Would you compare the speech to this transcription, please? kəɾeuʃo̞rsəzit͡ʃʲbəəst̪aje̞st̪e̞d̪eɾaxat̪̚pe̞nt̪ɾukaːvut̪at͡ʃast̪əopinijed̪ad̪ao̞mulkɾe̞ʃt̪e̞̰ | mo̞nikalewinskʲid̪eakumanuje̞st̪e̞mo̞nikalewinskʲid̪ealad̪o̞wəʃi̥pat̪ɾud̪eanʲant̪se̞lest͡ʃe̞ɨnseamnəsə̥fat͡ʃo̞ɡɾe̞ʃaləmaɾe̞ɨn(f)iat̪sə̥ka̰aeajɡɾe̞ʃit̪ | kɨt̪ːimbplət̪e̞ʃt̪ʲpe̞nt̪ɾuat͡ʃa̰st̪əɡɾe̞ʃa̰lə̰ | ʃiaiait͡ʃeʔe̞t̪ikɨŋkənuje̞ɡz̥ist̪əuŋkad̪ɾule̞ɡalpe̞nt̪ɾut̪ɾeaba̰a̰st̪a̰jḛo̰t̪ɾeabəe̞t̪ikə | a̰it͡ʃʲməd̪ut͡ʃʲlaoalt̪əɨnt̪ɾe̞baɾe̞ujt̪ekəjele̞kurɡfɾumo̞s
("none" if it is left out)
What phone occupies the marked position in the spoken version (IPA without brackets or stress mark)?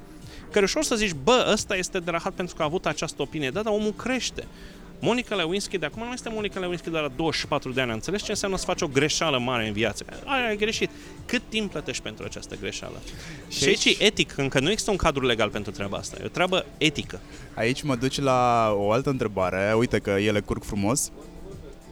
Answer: v